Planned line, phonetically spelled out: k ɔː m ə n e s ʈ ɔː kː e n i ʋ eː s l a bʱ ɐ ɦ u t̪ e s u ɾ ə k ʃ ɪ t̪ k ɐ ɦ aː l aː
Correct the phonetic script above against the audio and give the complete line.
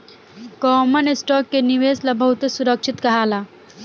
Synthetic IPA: k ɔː m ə n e s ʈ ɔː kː e n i ʋ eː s l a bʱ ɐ ɦ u t̪ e s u ɾ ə k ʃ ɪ t̪ k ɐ ɦ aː l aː